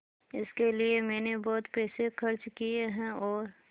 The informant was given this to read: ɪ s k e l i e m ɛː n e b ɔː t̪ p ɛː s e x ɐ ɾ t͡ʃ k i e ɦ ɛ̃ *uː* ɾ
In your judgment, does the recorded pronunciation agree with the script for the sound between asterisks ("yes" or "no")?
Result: no